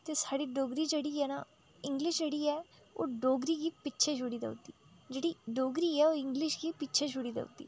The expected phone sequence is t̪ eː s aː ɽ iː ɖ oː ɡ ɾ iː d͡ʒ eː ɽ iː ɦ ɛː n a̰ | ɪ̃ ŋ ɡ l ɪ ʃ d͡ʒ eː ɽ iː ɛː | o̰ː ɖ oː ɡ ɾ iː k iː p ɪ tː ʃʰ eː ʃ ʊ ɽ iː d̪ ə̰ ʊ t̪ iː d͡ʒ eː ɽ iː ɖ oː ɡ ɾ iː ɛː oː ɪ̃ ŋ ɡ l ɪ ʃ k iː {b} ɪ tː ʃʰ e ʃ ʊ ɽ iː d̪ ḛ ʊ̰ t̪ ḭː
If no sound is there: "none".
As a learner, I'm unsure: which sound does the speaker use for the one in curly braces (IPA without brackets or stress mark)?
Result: p